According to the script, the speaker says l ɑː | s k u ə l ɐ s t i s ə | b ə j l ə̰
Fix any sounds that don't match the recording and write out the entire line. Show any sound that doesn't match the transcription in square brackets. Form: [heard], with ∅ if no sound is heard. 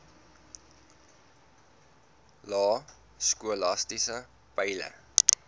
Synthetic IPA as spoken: l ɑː | s k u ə l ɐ s t i s ə | [p] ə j l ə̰

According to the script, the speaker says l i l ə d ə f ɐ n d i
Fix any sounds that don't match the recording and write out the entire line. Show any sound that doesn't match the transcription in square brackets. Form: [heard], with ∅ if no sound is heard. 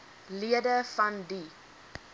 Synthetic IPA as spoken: l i [∅] ə d ə f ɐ n d i

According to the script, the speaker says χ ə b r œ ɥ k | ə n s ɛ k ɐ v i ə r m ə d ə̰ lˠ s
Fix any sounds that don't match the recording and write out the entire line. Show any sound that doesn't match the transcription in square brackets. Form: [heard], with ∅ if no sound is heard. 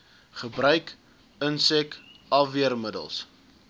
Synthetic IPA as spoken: χ ə b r œ ɥ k | ə n s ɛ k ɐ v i ə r m ə d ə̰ lˠ s

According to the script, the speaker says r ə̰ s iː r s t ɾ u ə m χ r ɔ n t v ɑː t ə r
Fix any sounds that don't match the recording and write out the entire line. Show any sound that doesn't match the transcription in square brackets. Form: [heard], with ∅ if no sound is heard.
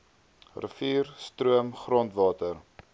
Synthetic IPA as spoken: r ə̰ [f] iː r s t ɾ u ə m χ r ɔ n t v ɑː t ə r

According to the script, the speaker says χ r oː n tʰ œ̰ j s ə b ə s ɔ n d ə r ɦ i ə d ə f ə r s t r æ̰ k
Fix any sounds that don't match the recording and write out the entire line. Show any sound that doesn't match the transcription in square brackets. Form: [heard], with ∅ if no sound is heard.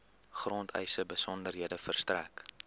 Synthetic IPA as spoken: χ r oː n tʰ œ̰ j s ə b ə s ɔ n d ə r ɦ i ə d ə f ə r s t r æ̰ k

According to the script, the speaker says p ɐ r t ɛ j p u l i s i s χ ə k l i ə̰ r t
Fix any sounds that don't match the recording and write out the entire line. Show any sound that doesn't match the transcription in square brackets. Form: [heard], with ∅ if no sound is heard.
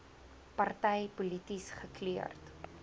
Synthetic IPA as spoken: p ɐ r t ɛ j p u l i [t] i s χ ə k l i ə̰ r t

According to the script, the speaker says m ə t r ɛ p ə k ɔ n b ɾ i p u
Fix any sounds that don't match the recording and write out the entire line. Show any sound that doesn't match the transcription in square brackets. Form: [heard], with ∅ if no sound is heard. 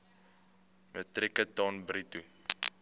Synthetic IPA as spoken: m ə t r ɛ [k] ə [t] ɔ n b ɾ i [t] u

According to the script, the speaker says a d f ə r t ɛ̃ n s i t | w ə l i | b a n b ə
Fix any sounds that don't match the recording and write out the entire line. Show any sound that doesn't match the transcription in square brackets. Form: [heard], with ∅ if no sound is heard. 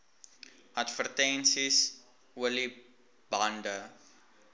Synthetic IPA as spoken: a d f ə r t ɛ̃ n s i [s] | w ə l i | b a n [d] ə

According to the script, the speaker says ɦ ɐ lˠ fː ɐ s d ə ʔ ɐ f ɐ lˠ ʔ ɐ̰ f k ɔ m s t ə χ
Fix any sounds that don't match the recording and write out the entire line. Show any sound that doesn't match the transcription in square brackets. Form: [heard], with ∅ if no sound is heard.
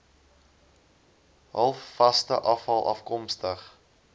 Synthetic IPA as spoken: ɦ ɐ lˠ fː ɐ s [t] ə ʔ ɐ f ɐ lˠ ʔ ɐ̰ f k ɔ m s t ə χ

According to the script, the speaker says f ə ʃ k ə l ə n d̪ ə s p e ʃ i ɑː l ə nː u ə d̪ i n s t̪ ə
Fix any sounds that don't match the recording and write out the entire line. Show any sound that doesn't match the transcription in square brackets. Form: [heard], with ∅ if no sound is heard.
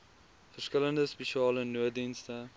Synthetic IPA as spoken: f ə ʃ k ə l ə n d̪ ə s p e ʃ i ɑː l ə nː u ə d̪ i n s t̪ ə

